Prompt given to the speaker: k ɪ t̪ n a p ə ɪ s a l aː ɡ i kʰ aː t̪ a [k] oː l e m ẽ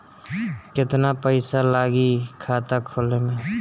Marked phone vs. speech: incorrect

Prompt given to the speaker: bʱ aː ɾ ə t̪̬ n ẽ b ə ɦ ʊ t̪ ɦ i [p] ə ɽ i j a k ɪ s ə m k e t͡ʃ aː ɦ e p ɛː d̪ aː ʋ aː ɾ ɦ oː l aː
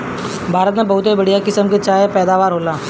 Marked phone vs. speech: incorrect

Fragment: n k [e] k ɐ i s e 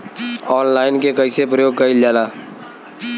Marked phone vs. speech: correct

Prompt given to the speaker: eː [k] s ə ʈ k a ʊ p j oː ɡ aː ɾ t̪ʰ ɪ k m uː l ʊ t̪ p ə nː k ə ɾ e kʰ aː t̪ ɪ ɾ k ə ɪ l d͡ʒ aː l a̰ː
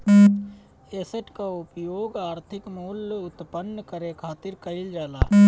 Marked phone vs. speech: incorrect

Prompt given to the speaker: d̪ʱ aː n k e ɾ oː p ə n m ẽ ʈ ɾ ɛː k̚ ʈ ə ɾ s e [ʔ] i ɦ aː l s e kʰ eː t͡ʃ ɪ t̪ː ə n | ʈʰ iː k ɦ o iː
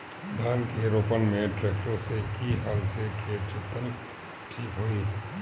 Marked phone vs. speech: incorrect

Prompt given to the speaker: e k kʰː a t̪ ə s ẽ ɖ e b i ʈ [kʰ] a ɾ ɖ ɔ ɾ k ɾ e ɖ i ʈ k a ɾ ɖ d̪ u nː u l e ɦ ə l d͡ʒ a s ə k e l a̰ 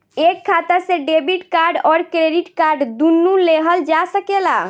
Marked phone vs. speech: incorrect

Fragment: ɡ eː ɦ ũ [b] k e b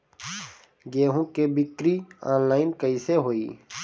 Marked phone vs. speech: incorrect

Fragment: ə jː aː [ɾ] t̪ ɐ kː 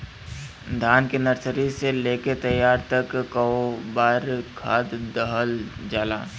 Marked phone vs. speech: correct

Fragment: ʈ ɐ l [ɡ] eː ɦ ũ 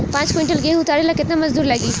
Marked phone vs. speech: correct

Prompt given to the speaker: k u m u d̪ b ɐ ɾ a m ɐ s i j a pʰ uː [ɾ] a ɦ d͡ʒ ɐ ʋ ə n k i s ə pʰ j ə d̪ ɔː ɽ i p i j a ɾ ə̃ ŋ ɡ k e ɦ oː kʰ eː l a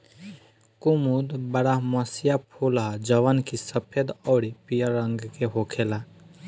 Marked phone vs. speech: incorrect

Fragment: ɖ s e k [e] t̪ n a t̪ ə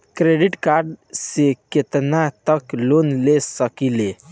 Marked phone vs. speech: correct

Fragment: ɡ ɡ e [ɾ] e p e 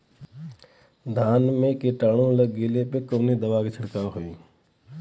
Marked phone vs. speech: incorrect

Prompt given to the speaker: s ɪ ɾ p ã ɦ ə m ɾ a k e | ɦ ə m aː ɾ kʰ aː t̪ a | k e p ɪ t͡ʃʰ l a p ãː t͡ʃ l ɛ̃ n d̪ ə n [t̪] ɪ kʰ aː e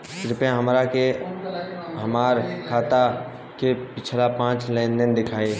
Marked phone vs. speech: incorrect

